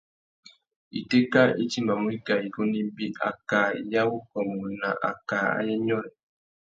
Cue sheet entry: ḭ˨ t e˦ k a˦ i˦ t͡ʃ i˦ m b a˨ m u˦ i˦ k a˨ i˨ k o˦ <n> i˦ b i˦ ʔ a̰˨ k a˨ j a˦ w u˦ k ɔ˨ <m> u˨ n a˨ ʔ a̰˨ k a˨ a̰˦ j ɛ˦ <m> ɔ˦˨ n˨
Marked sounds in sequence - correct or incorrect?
correct, correct, incorrect

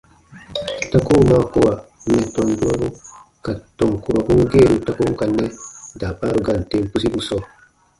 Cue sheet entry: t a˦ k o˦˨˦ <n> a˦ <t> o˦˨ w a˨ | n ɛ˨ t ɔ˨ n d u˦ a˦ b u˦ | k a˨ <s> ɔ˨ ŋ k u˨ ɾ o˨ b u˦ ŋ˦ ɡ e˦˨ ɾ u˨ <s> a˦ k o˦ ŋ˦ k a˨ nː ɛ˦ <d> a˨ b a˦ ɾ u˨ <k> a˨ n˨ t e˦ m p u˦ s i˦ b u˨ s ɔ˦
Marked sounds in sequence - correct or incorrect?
incorrect, incorrect, incorrect, incorrect, correct, incorrect

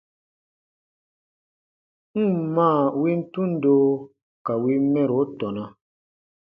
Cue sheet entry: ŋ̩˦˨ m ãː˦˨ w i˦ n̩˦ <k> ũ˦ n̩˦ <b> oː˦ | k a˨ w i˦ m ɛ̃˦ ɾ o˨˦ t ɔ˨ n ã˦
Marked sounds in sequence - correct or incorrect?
incorrect, incorrect

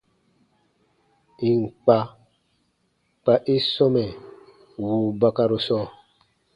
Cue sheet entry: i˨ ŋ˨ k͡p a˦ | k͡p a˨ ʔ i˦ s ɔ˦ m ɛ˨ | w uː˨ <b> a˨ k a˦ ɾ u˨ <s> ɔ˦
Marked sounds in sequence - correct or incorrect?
correct, correct

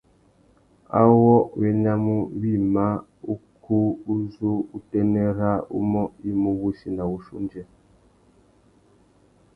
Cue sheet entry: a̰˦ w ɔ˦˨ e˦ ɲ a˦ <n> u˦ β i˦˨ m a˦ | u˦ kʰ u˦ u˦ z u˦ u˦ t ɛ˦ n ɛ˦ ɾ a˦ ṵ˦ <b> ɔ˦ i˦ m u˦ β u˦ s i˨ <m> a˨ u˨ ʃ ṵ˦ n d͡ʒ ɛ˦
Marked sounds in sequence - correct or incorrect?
incorrect, incorrect, incorrect

